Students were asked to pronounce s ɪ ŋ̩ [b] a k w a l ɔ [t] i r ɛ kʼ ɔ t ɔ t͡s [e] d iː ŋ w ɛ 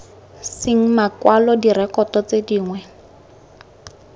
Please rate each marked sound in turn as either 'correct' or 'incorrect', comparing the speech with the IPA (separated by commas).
incorrect, incorrect, correct